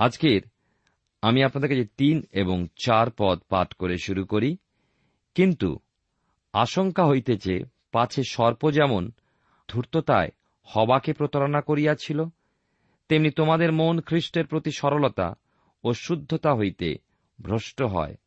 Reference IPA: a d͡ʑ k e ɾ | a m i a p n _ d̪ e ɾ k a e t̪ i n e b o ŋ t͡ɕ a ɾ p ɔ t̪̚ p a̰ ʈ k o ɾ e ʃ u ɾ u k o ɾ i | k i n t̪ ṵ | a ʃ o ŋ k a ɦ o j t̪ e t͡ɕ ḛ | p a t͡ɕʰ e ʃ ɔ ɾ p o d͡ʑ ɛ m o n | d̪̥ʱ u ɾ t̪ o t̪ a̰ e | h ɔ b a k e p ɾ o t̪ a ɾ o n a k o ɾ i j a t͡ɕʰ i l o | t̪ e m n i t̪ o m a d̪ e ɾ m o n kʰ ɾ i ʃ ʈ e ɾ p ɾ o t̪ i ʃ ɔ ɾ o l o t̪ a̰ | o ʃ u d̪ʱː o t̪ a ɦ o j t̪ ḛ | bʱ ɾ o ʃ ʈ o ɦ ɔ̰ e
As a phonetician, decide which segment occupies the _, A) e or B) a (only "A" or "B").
B